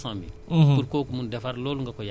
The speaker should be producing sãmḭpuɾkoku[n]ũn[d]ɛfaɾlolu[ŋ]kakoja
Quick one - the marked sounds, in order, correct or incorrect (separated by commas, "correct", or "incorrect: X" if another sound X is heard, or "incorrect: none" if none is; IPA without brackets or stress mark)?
incorrect: m, correct, correct